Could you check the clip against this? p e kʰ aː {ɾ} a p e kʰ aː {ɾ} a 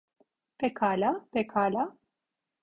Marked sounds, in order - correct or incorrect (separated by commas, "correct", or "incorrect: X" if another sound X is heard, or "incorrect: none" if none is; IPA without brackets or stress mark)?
incorrect: l, incorrect: l